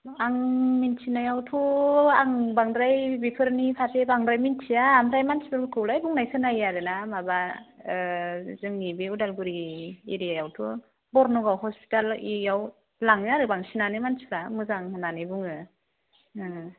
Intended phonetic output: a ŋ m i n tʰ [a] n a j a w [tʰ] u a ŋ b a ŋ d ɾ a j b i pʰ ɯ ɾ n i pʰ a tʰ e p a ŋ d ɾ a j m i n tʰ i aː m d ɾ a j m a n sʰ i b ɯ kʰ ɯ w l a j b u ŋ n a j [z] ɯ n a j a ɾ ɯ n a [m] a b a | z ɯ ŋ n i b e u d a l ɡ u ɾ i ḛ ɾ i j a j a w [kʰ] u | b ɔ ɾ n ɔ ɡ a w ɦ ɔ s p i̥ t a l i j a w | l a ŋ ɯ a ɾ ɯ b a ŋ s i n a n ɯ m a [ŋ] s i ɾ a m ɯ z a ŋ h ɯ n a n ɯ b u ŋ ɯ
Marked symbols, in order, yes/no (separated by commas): no, yes, no, yes, no, no